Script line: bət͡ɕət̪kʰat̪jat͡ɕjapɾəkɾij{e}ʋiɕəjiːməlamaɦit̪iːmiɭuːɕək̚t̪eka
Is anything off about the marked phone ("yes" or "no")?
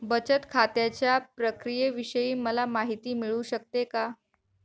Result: no